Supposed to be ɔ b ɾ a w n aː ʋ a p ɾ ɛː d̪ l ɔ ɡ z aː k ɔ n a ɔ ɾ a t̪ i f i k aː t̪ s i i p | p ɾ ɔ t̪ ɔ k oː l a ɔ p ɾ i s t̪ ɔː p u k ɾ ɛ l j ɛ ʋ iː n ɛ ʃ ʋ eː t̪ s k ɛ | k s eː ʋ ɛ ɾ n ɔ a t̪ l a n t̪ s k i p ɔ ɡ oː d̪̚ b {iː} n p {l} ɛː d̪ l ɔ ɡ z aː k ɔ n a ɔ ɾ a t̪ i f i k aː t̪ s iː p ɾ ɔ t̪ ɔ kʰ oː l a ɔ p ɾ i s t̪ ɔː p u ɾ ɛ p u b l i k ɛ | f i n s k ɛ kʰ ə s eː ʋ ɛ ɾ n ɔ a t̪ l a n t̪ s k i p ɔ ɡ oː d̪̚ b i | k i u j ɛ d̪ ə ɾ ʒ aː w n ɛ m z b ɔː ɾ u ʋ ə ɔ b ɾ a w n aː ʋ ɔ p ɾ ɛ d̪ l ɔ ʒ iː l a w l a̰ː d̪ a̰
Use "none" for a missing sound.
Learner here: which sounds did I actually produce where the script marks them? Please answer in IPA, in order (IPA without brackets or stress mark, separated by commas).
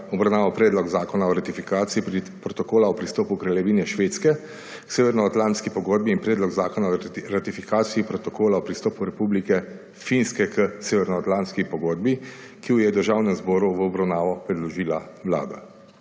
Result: iː, ɾ